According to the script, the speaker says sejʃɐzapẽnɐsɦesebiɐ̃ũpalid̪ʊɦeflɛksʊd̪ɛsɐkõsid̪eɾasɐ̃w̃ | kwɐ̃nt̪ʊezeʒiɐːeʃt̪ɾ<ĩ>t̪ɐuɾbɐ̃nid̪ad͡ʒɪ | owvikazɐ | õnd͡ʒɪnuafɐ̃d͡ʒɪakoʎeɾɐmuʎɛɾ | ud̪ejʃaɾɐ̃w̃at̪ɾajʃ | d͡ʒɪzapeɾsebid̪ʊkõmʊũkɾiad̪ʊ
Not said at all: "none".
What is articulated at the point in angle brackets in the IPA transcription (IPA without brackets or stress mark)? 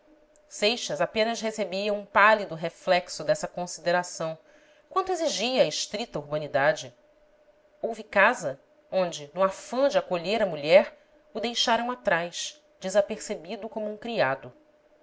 i